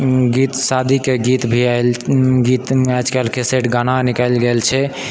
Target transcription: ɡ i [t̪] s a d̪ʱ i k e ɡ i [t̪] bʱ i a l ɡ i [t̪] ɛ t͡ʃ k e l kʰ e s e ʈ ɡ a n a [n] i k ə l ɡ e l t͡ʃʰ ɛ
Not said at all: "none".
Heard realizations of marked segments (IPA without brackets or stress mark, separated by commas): t̪, t̪, t̪, n